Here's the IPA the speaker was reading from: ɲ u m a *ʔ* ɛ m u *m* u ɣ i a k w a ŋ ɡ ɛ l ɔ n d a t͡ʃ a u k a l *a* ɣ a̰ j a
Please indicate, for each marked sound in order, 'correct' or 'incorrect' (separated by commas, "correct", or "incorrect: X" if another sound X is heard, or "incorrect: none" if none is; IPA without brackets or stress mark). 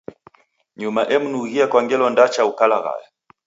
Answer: correct, incorrect: n, correct